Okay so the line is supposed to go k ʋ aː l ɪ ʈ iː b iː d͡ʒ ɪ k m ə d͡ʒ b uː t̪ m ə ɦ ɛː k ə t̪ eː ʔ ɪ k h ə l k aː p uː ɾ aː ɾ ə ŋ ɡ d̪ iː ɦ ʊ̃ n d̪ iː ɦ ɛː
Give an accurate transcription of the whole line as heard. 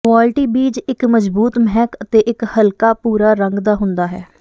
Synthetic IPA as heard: k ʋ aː l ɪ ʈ iː b iː d͡ʒ ɪ k m ə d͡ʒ b uː t̪ m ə ɦ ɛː k ə t̪ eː ʔ ɪ k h ə l k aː p uː ɾ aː ɾ ə ŋ ɡ d̪ aː ɦ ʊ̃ n d̪ aː ɦ ɛː